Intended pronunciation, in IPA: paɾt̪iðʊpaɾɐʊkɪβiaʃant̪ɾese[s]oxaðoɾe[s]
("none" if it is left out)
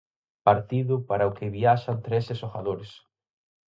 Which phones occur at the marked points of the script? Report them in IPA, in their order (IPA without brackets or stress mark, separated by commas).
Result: s, s